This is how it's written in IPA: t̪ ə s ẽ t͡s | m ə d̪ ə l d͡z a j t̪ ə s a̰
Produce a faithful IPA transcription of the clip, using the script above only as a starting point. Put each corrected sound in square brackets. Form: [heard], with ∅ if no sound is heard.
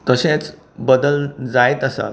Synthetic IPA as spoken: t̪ ə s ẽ t͡s | [b] ə d̪ ə l d͡z a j t̪ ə s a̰